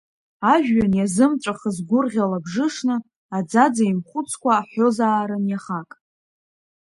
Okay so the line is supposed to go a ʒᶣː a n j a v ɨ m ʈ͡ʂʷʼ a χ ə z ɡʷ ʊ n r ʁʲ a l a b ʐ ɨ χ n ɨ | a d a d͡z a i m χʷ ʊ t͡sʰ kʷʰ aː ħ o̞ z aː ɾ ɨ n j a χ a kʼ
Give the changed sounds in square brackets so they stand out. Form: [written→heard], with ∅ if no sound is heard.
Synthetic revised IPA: a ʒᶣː a n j a [v→z] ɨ m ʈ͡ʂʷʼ a χ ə z ɡʷ ʊ [n→∅] r ʁʲ a l a b ʐ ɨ [χ→ʂ] n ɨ | a [d→d͡z] a d͡z a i m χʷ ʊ t͡sʰ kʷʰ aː ħ o̞ z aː ɾ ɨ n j a χ a kʼ